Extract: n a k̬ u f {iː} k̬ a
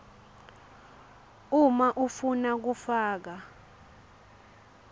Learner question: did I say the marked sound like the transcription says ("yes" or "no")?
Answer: no